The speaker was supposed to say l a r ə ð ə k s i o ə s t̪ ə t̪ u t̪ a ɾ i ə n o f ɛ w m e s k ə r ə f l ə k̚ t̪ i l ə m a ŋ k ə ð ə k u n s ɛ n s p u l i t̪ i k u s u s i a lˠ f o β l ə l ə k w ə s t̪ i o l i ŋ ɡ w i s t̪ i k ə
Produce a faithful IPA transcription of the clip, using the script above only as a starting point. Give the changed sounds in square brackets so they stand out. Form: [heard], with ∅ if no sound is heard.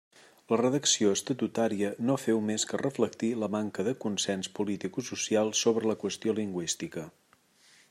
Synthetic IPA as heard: l [ə] r ə ð ə k s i o ə s t̪ ə t̪ u t̪ a ɾ i ə n o f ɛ w m e s k ə r ə f l ə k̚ t̪ i l ə m a ŋ k ə ð ə k u n s ɛ n s p u l i t̪ i k u s u s i a lˠ [s] o β [ɾ] ə l ə k w ə s t̪ i o l i ŋ ɡ w i s t̪ i k ə